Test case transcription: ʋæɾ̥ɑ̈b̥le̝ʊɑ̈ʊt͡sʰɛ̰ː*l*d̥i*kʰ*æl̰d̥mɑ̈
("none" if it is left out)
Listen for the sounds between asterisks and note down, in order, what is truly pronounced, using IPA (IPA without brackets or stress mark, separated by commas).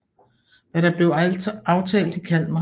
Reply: l, kʰ